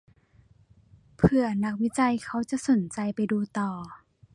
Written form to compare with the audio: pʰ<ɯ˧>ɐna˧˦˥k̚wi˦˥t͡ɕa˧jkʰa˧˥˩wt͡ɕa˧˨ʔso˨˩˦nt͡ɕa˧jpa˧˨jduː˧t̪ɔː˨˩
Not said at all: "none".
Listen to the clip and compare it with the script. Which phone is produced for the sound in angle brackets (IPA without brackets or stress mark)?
ɯ˧